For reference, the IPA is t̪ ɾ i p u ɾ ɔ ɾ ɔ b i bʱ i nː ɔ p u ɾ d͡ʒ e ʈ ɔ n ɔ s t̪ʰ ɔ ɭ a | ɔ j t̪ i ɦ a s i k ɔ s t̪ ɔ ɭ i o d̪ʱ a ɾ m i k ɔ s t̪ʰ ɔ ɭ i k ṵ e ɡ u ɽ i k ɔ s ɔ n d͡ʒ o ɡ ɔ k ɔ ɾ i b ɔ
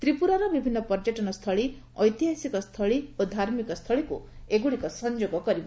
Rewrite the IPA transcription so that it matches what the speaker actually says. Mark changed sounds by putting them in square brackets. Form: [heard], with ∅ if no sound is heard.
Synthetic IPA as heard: t̪ ɾ i p u ɾ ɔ ɾ ɔ b i bʱ i nː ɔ p [ɔ] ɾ d͡ʒ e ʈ ɔ n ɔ s t̪ʰ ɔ ɭ [i] | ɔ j t̪ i ɦ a s i k ɔ s [t̪ʰ] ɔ ɭ i o d̪ʱ a ɾ m i k ɔ s t̪ʰ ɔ ɭ i k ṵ e ɡ u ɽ i k ɔ s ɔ n d͡ʒ o ɡ ɔ k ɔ ɾ i b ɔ